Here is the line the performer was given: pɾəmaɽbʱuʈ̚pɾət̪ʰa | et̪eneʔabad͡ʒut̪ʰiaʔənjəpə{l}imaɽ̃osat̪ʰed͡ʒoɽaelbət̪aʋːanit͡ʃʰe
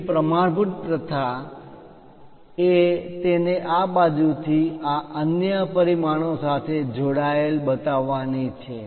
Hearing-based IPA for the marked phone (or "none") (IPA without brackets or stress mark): ɾ